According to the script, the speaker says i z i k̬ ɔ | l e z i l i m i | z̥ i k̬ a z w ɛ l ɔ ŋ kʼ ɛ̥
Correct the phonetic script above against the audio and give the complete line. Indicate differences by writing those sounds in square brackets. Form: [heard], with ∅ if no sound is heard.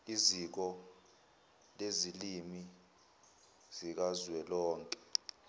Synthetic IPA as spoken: i z i k̬ ɔ | l e z i l i m i | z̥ i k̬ a z w ɛ l [ɔː] ŋ kʼ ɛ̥